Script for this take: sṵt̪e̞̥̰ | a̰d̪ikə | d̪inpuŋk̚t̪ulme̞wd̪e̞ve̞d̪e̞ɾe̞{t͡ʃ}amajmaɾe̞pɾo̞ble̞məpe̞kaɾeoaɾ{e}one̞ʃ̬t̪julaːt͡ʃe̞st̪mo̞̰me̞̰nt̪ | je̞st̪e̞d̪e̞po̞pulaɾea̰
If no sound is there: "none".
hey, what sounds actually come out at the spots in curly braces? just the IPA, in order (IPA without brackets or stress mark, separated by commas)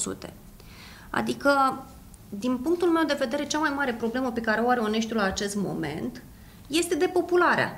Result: t͡ʃ, e